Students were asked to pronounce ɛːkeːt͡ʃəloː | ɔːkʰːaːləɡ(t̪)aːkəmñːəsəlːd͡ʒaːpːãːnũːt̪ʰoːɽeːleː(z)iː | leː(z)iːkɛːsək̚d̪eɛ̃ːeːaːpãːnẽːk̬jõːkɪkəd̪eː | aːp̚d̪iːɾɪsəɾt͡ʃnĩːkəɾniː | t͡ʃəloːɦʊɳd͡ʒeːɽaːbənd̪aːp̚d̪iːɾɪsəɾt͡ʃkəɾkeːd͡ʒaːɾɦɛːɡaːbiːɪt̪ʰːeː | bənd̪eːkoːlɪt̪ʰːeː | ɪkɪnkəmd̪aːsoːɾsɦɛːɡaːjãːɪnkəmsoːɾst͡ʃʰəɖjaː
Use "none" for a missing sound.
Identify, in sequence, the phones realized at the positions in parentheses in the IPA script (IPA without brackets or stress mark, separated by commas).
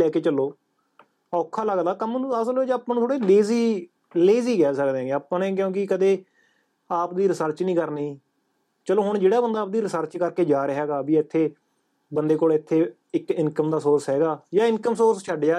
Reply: d̪, z, z